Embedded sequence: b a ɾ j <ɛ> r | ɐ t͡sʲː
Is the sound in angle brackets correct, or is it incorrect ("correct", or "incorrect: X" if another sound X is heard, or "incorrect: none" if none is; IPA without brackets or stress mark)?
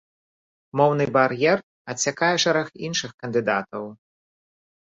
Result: correct